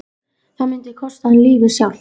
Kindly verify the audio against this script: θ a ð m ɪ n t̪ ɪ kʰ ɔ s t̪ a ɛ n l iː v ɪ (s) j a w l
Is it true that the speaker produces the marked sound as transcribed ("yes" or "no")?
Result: yes